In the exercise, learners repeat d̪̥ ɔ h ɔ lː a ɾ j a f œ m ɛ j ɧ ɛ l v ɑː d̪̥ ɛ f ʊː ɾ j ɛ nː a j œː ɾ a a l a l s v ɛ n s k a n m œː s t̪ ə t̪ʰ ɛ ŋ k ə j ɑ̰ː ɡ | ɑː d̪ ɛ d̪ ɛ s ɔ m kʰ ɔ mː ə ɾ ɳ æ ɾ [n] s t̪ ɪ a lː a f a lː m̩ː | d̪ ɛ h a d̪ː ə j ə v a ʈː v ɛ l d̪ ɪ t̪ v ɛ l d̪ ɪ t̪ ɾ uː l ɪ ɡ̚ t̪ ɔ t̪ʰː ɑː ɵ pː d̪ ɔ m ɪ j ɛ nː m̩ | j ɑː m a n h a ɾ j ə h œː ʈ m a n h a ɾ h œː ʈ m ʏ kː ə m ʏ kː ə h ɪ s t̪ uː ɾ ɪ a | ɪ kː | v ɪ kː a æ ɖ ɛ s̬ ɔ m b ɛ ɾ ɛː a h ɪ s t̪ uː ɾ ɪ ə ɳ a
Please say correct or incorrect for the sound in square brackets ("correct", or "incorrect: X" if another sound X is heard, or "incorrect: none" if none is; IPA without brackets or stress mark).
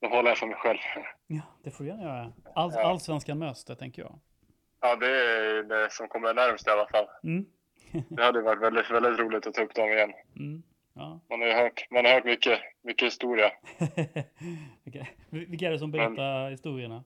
incorrect: m